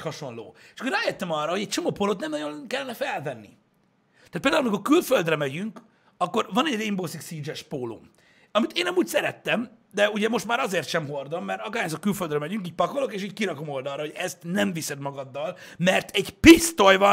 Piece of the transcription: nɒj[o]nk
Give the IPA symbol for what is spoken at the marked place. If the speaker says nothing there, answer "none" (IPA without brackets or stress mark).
o